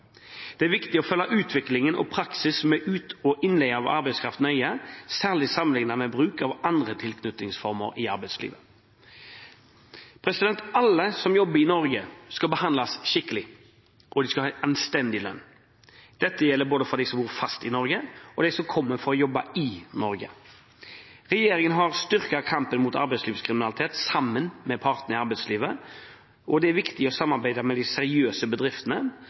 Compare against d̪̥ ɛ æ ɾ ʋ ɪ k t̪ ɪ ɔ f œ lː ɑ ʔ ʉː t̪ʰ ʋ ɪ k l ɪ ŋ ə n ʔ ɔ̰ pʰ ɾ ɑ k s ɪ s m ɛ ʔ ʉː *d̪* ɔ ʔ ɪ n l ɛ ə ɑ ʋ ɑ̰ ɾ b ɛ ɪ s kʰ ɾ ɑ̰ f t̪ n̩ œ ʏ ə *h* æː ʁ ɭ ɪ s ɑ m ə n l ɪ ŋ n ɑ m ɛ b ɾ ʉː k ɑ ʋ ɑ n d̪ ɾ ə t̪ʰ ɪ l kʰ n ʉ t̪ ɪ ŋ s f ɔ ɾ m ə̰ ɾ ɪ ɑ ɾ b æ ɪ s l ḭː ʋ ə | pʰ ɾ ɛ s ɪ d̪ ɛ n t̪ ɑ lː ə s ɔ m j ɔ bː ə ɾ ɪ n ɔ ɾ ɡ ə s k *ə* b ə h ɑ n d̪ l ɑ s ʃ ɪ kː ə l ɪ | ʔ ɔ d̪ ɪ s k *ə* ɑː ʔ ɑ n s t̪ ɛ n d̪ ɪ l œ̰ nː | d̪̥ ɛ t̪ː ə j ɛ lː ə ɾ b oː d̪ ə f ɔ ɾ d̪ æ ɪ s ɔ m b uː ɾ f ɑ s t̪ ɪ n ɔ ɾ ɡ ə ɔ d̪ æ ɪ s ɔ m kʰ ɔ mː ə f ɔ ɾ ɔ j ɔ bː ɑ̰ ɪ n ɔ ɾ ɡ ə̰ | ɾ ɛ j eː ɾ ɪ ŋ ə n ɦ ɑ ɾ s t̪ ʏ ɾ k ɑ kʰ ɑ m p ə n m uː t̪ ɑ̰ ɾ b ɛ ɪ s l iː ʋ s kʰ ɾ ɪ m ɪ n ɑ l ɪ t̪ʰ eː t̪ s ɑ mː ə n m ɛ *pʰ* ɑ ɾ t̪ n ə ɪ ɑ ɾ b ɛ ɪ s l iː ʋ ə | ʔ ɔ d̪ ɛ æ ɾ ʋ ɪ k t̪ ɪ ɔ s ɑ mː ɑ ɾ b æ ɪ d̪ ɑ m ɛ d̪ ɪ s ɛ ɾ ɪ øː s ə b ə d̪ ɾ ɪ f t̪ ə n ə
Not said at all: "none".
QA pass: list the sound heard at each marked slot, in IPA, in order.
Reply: t̪, s, ɑ, ɑ, pʰ

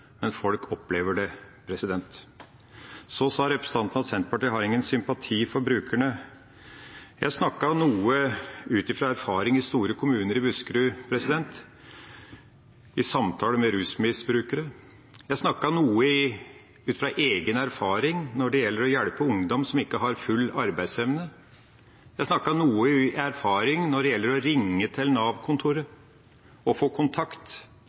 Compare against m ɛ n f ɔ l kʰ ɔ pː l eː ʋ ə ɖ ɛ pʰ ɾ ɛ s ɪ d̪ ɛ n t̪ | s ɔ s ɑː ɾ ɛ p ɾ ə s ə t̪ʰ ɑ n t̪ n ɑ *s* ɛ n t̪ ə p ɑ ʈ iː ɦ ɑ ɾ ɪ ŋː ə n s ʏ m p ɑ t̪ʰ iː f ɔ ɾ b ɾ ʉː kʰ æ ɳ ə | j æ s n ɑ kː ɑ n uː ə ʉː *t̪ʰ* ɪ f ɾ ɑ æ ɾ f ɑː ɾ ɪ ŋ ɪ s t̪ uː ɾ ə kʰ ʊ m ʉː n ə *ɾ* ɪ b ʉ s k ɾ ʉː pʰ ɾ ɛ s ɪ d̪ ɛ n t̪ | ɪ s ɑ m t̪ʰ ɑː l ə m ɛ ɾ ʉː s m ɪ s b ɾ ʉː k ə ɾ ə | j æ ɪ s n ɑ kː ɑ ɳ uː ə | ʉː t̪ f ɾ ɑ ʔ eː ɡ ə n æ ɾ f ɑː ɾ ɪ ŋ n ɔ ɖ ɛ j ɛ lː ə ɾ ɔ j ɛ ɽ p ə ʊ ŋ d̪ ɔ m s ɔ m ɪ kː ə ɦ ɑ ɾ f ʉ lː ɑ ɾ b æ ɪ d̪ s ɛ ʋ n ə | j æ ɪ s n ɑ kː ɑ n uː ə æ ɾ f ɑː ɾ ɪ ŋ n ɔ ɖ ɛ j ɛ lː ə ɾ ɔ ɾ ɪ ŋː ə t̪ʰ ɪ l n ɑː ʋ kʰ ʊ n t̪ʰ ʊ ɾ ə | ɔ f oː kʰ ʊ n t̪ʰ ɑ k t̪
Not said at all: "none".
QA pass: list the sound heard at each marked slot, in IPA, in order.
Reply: s, t̪, ɾ

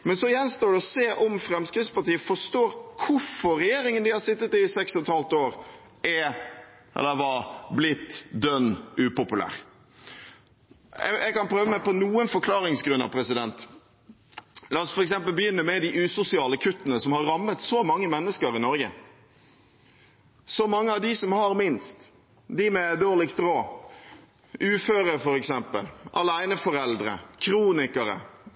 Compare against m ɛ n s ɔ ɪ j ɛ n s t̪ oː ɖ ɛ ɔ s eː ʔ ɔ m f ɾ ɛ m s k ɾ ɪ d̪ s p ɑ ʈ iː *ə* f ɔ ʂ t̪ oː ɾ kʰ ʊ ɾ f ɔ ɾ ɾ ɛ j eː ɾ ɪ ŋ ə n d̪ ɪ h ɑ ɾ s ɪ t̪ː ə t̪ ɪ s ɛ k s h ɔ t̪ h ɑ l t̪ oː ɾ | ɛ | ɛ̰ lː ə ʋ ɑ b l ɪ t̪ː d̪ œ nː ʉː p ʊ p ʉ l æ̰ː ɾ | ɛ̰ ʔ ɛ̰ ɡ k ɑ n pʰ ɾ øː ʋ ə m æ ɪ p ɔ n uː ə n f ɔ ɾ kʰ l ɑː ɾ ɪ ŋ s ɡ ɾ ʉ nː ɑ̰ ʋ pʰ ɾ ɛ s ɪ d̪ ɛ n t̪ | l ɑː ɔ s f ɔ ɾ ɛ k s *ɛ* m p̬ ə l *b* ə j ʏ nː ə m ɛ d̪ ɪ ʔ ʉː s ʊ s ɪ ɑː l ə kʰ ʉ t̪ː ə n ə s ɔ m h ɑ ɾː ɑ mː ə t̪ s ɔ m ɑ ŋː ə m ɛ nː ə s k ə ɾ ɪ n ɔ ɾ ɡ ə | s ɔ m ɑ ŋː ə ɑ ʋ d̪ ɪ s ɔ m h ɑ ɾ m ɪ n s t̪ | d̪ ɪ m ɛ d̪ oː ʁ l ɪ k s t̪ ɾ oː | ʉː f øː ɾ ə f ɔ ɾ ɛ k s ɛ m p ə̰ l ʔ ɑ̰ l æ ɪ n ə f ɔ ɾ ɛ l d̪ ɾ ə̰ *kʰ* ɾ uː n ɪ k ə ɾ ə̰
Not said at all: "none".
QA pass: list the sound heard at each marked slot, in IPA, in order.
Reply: ə, ɛ, b, kʰ

